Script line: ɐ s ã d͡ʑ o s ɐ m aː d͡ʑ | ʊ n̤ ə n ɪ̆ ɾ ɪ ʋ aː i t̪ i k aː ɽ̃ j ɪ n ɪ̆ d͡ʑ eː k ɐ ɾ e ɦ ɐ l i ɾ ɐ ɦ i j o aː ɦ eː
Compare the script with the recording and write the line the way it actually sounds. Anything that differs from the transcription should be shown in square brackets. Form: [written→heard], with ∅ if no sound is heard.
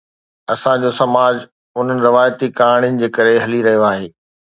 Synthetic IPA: ɐ s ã d͡ʑ o s ɐ m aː d͡ʑ | ʊ n̤ ə n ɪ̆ ɾ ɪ ʋ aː [i→j] t̪ i k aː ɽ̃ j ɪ n ɪ̆ d͡ʑ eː k ɐ ɾ e ɦ ɐ l i ɾ ɐ ɦ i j o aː ɦ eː